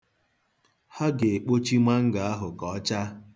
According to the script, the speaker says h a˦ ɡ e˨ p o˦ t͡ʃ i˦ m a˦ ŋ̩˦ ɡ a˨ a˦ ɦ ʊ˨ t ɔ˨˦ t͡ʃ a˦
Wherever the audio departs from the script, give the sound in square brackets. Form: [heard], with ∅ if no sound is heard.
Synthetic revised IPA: h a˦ ɡ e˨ [k͡p] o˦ t͡ʃ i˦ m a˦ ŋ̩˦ ɡ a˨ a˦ ɦ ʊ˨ [k] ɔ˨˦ t͡ʃ a˦